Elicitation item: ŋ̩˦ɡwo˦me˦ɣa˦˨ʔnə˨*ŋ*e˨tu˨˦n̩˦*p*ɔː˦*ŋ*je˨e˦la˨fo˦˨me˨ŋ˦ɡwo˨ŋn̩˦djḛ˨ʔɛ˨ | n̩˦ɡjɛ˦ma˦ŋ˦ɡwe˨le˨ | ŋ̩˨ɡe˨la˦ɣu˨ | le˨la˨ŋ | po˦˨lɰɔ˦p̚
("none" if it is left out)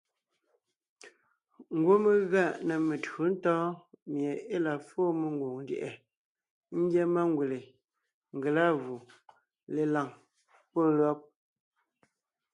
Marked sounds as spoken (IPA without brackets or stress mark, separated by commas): m, t, m